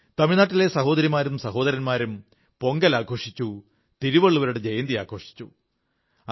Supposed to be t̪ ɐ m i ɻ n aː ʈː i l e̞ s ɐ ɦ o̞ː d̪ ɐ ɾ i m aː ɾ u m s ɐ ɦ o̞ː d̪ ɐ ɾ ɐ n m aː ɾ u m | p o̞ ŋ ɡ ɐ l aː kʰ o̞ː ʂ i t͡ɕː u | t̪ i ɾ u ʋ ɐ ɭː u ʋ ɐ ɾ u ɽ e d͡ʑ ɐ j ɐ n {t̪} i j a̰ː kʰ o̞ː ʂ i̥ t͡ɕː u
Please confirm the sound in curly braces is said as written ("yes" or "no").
no